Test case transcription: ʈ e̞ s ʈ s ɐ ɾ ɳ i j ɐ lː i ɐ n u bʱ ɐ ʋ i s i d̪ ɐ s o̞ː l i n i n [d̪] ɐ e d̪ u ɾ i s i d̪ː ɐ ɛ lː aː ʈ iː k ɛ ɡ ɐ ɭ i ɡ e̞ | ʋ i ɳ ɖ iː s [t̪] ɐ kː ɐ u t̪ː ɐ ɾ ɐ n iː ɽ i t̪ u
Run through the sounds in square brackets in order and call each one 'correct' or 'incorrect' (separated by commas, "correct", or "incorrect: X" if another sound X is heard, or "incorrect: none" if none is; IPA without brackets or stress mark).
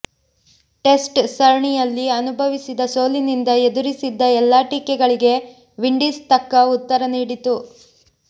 correct, correct